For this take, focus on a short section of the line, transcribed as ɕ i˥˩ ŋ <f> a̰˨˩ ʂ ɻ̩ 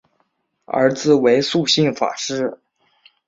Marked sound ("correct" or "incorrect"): correct